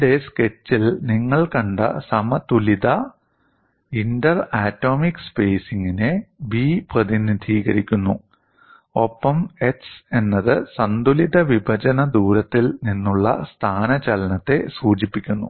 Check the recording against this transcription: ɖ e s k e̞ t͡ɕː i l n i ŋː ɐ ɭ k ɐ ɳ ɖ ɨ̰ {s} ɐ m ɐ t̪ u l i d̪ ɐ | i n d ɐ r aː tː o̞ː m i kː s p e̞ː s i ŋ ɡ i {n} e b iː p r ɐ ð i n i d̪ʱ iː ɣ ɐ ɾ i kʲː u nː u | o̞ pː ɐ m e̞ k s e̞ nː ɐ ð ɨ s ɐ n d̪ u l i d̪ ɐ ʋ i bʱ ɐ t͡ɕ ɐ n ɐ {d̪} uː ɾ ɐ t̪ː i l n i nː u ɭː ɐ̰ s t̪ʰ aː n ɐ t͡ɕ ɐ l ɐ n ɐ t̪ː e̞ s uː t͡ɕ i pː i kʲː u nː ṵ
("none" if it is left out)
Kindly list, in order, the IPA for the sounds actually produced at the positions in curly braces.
s, n, d̪

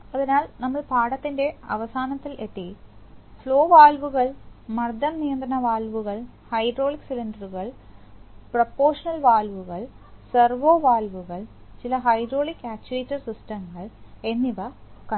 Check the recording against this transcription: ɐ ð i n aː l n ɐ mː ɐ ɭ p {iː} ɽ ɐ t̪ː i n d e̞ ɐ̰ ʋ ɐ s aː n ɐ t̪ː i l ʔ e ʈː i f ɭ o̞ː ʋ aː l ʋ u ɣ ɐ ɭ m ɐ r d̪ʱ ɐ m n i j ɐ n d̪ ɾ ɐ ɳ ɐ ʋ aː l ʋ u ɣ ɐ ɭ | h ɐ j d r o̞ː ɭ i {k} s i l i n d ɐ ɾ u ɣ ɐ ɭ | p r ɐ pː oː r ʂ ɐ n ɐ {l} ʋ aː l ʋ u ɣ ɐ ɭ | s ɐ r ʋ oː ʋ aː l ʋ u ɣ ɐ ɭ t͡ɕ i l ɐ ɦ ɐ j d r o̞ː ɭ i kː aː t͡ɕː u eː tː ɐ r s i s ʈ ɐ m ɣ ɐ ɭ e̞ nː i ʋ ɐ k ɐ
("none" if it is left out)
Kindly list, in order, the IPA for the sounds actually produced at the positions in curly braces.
aː, k, l

